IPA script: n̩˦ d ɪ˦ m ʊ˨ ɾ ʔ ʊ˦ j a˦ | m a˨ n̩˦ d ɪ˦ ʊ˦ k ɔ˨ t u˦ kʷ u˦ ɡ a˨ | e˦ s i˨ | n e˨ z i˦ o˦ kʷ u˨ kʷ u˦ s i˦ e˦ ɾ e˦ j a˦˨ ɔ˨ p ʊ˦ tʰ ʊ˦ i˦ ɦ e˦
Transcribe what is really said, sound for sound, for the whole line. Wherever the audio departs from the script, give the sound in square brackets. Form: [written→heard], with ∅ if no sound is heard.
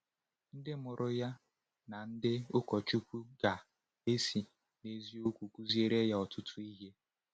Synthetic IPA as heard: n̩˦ d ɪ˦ m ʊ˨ ɾ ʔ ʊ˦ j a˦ | [m→n] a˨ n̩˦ d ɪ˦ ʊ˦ k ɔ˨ [t→t͡ʃ] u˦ kʷ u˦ ɡ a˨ | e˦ s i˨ | n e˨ z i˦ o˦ kʷ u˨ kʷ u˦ [s→z] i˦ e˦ ɾ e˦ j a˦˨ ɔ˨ [p→t] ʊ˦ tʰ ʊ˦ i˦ ɦ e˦